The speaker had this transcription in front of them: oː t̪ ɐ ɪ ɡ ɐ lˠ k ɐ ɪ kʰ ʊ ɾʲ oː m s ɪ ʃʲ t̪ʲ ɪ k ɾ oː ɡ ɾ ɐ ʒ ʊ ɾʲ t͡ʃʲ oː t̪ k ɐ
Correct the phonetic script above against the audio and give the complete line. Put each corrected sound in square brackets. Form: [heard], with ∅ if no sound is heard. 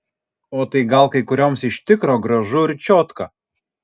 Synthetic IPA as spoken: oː t̪ ɐ ɪ ɡ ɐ lˠ k ɐ ɪ [k] ʊ ɾʲ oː m s ɪ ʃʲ t̪ʲ ɪ k ɾ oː ɡ ɾ ɐ ʒ ʊ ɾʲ t͡ʃʲ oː t̪ k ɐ

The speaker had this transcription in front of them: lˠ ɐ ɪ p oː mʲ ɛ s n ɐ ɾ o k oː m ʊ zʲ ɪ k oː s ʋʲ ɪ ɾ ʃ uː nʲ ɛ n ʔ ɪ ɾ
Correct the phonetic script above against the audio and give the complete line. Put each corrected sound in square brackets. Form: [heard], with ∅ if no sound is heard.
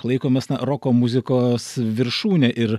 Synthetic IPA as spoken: lˠ ɐ ɪ [k] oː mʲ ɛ s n ɐ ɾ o k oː m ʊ zʲ ɪ k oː s ʋʲ ɪ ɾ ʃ uː nʲ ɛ [∅] ʔ ɪ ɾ

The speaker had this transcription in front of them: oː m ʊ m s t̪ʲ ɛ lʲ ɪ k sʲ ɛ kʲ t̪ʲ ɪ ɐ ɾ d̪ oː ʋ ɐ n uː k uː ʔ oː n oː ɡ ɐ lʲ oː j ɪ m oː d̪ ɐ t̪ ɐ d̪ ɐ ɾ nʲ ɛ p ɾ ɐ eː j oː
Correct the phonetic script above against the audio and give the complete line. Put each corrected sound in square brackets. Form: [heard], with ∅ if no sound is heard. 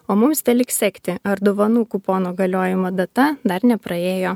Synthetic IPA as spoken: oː m ʊ m s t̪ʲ ɛ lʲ ɪ k sʲ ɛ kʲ t̪ʲ ɪ ɐ ɾ d̪ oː ʋ ɐ n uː k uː [p] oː n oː ɡ ɐ lʲ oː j ɪ m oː d̪ ɐ t̪ ɐ d̪ ɐ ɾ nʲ ɛ p ɾ ɐ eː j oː

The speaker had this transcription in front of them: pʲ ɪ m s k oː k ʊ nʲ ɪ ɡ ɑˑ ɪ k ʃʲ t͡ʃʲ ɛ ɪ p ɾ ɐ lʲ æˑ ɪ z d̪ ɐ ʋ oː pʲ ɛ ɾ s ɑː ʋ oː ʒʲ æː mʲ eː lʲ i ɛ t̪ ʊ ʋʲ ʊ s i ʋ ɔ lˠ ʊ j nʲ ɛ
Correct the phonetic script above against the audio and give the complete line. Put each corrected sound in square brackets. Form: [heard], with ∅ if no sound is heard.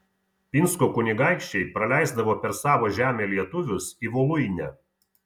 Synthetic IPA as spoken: pʲ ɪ [n] s k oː k ʊ nʲ ɪ ɡ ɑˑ ɪ k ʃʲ t͡ʃʲ ɛ ɪ p ɾ ɐ lʲ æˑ ɪ z d̪ ɐ ʋ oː pʲ ɛ ɾ s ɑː ʋ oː ʒʲ æː mʲ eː lʲ i ɛ t̪ ʊ ʋʲ ʊ s i ʋ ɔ lˠ ʊ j nʲ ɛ

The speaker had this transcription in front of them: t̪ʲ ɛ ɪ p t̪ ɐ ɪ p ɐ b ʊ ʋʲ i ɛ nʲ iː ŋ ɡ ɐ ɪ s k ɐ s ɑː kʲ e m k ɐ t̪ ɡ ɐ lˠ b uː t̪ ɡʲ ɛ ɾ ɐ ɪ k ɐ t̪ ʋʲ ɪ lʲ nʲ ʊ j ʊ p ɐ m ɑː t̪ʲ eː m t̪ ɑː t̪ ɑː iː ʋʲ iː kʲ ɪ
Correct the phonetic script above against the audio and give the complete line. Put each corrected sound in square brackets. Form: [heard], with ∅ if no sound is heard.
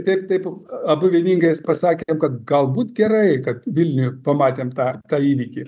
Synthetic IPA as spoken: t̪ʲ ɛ ɪ p t̪ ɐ ɪ p ɐ b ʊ ʋʲ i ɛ nʲ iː ŋ ɡ ɐ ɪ s [p] ɐ s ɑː kʲ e m k ɐ t̪ ɡ ɐ lˠ b uː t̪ ɡʲ ɛ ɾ ɐ ɪ k ɐ t̪ ʋʲ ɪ lʲ nʲ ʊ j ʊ p ɐ m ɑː t̪ʲ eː m t̪ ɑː t̪ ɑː iː ʋʲ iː kʲ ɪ

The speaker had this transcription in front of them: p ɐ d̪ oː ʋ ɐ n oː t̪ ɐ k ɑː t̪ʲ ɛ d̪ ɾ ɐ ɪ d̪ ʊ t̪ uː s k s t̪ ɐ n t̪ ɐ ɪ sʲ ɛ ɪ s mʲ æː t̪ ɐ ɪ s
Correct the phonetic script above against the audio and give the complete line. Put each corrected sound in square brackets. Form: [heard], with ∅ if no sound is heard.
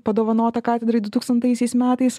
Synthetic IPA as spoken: p ɐ d̪ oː ʋ ɐ n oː t̪ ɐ k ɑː t̪ʲ ɛ d̪ ɾ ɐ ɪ d̪ ʊ t̪ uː [∅] k s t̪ ɐ n t̪ ɐ ɪ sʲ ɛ ɪ s mʲ æː t̪ ɐ ɪ s

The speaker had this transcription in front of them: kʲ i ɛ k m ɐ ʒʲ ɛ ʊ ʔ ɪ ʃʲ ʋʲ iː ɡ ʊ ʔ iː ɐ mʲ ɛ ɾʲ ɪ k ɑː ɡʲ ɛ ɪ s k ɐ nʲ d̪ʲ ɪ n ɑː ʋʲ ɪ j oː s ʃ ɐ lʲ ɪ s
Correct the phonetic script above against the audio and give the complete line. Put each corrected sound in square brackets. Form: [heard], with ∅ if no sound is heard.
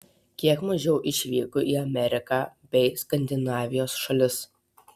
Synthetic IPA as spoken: kʲ i ɛ k m ɐ ʒʲ ɛ ʊ ʔ ɪ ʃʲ ʋʲ iː [k] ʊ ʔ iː ɐ mʲ ɛ ɾʲ ɪ k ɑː [bʲ] ɛ ɪ s k ɐ nʲ d̪ʲ ɪ n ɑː ʋʲ ɪ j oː s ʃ ɐ lʲ ɪ s

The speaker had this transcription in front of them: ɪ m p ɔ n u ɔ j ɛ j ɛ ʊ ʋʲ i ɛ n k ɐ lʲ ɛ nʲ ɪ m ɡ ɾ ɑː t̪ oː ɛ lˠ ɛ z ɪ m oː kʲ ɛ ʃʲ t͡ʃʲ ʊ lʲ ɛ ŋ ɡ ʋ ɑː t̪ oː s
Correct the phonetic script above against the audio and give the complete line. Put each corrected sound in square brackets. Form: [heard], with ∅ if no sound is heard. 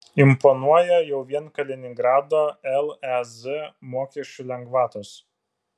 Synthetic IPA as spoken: ɪ m p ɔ n u ɔ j ɛ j ɛ ʊ ʋʲ i ɛ n k ɐ lʲ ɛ nʲ ɪ [ŋ] ɡ ɾ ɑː [d̪] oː ɛ lˠ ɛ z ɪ m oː kʲ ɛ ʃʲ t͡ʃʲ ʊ lʲ ɛ ŋ ɡ ʋ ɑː t̪ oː s

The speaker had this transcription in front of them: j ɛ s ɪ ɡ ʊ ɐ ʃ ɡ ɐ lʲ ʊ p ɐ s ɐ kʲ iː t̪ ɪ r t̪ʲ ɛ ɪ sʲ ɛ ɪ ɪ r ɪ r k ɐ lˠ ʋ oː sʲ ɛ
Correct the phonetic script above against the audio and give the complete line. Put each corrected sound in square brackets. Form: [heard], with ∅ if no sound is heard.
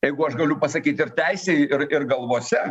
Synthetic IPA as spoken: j ɛ [∅] ɪ ɡ ʊ ɐ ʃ ɡ ɐ lʲ ʊ p ɐ s ɐ kʲ iː t̪ ɪ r t̪ʲ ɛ ɪ sʲ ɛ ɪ ɪ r ɪ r [ɡ] ɐ lˠ ʋ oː sʲ ɛ

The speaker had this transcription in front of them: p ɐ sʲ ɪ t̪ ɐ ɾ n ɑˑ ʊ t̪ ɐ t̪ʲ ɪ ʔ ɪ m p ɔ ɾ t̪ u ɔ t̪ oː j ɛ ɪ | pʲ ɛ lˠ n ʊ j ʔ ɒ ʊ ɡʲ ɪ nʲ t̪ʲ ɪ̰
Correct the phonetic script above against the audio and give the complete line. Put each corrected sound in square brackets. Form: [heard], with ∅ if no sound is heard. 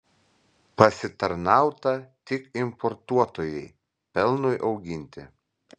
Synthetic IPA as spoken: p ɐ sʲ ɪ t̪ ɐ ɾ n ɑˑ ʊ t̪ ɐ t̪ʲ ɪ [k] ɪ m p ɔ ɾ t̪ u ɔ t̪ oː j ɛ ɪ | pʲ ɛ lˠ n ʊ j ʔ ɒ ʊ ɡʲ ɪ nʲ t̪ʲ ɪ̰

